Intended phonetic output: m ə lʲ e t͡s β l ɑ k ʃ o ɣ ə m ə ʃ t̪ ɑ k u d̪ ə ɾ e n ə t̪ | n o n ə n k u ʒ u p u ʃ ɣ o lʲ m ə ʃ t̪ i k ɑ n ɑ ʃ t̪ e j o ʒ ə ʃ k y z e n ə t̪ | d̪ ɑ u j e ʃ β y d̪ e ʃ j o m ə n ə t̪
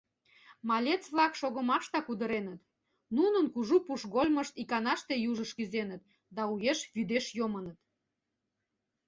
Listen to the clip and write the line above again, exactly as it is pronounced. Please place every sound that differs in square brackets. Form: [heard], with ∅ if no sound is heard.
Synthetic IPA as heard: m [ɑ] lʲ e t͡s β l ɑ k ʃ o ɣ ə m [ɑ] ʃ t̪ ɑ k u d̪ ə ɾ e n ə t̪ | n [u] n ə n k u ʒ u p u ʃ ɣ o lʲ m ə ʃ t̪ i k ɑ n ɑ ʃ t̪ e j [u] ʒ ə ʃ k y z e n ə t̪ | d̪ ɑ u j e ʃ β y d̪ e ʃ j o m ə n ə t̪